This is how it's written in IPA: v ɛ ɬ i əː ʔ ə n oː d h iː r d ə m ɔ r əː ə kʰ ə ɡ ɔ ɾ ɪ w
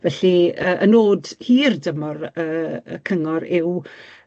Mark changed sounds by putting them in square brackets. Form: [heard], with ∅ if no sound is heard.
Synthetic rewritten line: v ɛ ɬ i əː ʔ ə n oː d h iː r d ə m ɔ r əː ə kʰ ə [ŋ] ɔ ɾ ɪ w

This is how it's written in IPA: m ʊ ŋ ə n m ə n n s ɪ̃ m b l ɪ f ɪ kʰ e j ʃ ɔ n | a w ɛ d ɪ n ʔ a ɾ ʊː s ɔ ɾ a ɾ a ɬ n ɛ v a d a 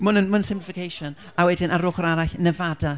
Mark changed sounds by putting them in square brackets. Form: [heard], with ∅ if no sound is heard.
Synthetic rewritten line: m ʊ [n] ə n m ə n n s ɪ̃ m [p] l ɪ f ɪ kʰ e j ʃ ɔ n | a w ɛ d ɪ n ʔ a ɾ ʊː [χ] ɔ ɾ a ɾ a ɬ n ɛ v a d a

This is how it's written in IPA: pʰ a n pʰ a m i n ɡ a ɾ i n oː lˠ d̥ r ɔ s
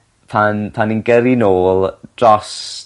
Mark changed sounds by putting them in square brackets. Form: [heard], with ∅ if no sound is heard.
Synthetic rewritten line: pʰ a n pʰ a [n] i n ɡ [ə] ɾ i n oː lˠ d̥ r ɔ s

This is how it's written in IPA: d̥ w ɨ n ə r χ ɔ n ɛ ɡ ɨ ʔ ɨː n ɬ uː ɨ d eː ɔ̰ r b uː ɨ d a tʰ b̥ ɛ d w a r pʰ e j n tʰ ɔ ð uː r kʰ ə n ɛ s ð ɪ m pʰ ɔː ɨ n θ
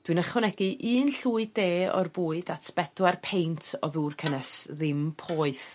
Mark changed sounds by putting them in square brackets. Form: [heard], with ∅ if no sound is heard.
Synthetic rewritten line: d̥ w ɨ n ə [∅] χ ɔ n ɛ ɡ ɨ ʔ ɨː n ɬ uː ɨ d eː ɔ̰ r b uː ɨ d a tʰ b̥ ɛ d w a r pʰ e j n tʰ ɔ ð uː r kʰ ə n ɛ s ð ɪ m pʰ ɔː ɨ [∅] θ

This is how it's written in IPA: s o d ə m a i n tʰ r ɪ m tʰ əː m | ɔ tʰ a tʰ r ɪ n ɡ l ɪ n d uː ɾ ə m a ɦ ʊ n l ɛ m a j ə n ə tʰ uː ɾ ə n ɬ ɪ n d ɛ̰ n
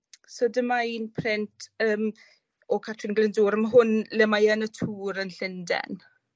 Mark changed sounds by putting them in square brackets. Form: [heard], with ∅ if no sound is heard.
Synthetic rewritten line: s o d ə m a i n [pʰ] r ɪ [n] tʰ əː m | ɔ [kʰ] a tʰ r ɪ n ɡ l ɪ n d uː ɾ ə m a ɦ ʊ n l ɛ m a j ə n ə tʰ uː ɾ ə n ɬ ɪ n d ɛ̰ n

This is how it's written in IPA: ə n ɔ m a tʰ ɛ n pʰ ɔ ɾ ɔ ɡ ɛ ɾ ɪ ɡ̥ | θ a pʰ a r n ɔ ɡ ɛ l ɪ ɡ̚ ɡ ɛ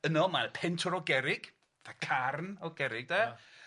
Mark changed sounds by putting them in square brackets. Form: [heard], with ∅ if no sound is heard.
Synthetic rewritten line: ə n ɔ m a [pʰ] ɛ n [tʰ] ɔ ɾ ɔ ɡ ɛ ɾ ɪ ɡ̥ | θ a [kʰ] a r n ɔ ɡ ɛ [ɾ] ɪ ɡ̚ [d] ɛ

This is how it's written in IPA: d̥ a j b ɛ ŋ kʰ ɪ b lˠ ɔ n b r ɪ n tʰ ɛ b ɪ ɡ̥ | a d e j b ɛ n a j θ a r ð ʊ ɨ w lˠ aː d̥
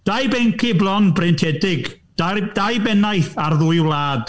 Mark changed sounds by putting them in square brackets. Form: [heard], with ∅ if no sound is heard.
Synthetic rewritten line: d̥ a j b ɛ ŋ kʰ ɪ b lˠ ɔ n b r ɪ n tʰ ɛ [d] ɪ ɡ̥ | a d [a] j b ɛ n a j θ a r ð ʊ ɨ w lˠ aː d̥

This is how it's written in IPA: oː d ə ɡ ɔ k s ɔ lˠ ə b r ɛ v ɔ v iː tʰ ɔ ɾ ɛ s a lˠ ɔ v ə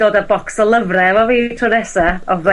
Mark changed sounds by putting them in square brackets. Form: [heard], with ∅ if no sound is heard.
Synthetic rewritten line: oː d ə [b] ɔ k s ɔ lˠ ə [v] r ɛ v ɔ v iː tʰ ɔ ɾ ɛ s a [∅] ɔ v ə

